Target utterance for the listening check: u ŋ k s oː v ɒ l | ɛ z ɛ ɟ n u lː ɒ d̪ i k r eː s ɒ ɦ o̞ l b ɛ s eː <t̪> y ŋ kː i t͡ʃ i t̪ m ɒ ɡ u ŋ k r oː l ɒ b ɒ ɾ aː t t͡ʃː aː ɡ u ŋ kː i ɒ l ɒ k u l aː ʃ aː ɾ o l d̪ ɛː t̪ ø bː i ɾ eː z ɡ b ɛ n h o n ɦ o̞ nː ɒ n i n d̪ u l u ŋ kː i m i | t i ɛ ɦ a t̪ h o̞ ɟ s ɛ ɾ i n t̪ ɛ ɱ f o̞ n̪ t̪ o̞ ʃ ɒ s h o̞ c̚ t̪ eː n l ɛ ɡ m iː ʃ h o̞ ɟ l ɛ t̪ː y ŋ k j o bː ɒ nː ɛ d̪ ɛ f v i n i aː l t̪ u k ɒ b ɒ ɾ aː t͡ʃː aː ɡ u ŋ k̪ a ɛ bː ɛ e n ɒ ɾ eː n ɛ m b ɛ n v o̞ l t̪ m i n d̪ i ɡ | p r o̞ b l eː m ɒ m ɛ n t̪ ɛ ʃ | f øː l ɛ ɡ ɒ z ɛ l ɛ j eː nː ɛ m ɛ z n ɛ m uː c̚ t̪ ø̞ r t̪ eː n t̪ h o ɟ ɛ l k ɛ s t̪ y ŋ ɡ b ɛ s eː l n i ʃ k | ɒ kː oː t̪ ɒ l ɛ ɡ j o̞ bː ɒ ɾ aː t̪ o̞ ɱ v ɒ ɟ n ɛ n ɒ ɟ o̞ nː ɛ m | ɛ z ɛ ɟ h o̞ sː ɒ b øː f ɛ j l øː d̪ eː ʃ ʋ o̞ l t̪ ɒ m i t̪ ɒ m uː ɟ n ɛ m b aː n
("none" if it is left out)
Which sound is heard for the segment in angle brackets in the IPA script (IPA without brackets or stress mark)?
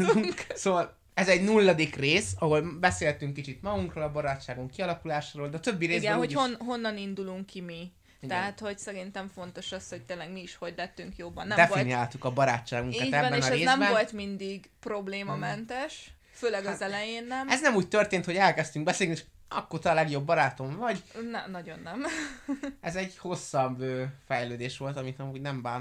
t̪